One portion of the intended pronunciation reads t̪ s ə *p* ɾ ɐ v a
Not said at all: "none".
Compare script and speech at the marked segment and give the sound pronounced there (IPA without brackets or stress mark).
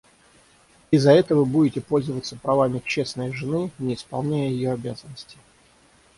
p